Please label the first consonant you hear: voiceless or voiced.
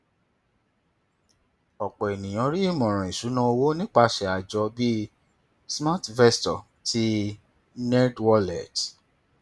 voiceless